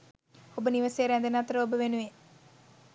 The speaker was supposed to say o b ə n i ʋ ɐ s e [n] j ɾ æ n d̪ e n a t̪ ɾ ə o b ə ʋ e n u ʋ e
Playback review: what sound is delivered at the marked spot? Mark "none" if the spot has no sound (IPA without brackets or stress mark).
none